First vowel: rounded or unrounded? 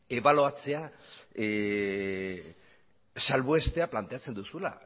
unrounded